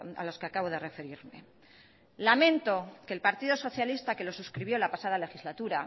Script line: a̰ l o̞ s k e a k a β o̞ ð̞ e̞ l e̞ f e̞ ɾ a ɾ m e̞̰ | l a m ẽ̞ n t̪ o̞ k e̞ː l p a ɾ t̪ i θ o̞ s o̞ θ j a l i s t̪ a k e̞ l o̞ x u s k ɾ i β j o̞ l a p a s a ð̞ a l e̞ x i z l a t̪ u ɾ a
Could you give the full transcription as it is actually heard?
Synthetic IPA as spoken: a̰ l o̞ s k e a k a β o̞ ð̞ e̞ r e̞ f e̞ ɾ i ɾ m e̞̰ | l a m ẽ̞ n t̪ o̞ k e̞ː l p a ɾ t̪ i ð o̞ s o̞ θ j a l i s t̪ a k e̞ l o̞ s u s k ɾ i β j o̞ l a p a s a ð̞ a l e̞ x i z l a t̪ u ɾ a